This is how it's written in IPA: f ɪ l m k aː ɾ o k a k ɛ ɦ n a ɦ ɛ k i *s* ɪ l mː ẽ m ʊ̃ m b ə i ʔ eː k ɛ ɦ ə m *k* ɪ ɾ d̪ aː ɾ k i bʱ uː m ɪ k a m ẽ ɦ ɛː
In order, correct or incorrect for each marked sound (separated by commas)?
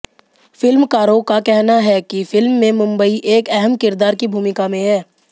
incorrect, correct